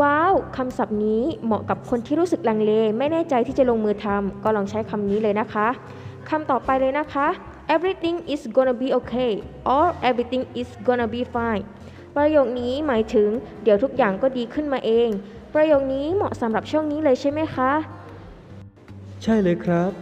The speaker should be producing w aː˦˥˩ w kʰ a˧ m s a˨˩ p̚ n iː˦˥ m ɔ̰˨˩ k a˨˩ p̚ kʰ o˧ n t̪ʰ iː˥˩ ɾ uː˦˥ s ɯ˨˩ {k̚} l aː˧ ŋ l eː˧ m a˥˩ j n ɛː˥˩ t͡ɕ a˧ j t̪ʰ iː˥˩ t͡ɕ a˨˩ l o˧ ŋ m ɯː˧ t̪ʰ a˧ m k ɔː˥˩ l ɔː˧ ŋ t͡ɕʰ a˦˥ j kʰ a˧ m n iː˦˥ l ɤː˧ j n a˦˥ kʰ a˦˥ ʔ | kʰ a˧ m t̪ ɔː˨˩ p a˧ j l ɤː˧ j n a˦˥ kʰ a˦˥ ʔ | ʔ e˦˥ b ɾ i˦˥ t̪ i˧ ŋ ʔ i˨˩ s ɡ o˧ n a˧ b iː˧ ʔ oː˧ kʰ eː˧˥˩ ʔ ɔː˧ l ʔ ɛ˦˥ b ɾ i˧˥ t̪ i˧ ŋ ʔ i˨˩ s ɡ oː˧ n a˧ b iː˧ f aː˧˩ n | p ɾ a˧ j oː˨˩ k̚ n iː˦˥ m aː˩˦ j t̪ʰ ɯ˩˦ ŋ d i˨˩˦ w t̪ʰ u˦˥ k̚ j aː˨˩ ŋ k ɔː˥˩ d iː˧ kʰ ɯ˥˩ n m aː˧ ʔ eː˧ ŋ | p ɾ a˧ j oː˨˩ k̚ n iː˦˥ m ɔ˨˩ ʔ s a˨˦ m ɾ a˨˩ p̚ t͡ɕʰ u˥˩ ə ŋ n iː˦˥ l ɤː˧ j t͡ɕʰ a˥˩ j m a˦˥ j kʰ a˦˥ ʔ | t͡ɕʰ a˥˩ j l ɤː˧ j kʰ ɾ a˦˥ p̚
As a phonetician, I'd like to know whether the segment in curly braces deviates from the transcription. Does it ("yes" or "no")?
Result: no